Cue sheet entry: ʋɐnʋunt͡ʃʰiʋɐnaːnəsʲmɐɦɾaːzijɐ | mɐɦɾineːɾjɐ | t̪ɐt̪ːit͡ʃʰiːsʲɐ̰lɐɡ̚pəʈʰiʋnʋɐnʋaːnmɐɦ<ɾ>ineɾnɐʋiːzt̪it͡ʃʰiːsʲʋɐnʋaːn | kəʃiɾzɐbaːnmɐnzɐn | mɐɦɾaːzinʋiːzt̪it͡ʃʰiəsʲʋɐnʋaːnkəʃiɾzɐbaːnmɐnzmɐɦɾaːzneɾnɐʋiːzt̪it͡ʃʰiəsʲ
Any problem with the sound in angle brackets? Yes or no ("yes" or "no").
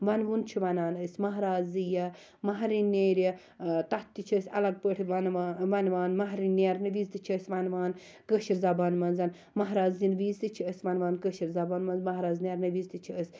no